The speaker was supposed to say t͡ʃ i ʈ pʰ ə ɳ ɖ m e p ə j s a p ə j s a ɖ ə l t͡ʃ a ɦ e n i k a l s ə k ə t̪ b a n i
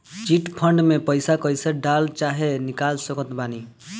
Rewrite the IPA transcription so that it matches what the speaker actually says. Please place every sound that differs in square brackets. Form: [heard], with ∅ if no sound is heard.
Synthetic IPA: t͡ʃ i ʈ pʰ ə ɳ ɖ m e p ə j s a [k] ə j s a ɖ [a] l t͡ʃ a ɦ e n i k a l s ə k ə t̪ b a n i